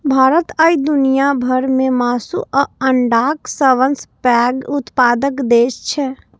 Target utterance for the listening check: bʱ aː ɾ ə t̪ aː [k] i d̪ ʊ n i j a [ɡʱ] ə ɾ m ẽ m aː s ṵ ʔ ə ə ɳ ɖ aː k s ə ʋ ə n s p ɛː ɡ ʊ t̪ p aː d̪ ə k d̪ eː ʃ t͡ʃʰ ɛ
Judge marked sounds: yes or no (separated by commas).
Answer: no, no